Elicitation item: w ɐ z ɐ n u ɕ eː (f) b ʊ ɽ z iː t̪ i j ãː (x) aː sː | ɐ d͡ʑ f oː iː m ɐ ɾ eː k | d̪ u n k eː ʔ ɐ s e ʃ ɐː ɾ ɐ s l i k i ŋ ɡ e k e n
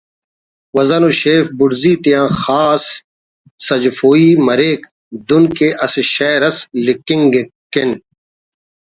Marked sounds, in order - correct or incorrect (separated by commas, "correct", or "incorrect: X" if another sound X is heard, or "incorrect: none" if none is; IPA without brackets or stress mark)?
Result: correct, correct